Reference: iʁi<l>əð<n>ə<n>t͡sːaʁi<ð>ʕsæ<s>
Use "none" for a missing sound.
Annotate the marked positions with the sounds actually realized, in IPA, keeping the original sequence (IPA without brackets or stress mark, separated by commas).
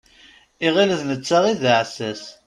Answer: l, n, none, ð, s